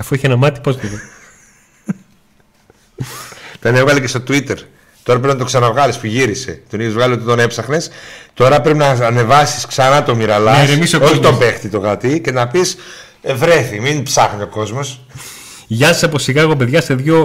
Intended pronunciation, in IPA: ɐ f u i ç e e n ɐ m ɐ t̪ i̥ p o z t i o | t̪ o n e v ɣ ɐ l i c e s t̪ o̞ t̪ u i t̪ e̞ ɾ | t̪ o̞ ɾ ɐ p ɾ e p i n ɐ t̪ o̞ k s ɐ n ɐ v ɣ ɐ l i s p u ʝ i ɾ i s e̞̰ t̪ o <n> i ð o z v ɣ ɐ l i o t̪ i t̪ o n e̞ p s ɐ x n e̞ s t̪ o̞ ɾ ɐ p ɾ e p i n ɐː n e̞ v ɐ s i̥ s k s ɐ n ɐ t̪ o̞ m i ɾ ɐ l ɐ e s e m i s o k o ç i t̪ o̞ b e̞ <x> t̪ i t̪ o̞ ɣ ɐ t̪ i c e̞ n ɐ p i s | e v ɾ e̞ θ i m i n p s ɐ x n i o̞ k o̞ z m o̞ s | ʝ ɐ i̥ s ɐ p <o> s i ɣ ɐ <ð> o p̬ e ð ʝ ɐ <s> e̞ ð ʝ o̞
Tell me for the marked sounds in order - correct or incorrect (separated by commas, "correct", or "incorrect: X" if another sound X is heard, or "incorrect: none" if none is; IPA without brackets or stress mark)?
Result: correct, correct, correct, incorrect: ɣ, correct